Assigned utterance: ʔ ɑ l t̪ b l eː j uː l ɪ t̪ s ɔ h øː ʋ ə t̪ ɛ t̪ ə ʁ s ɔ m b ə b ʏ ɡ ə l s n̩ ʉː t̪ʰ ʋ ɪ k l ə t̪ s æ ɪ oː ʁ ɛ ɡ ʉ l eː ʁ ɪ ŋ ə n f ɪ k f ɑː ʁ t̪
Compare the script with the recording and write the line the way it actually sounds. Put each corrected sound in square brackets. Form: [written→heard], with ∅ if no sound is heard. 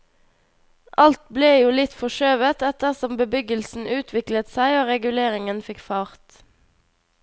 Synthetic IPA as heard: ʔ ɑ l t̪ b l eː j uː l ɪ t̪ [s→f] ɔ [h→ʃ] øː ʋ ə t̪ ɛ t̪ ə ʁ s ɔ m b ə b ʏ ɡ ə l s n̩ ʉː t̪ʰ ʋ ɪ k l ə t̪ s æ ɪ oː ʁ ɛ ɡ ʉ l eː ʁ ɪ ŋ ə n f ɪ k f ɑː ʁ t̪